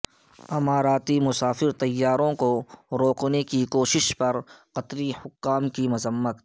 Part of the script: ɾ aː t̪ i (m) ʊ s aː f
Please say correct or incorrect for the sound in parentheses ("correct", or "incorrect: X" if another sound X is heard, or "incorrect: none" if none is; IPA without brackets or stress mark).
correct